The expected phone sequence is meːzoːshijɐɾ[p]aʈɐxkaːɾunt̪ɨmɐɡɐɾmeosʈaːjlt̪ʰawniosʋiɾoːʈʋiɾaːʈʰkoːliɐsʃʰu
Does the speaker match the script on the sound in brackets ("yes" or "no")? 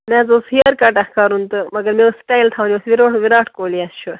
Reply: no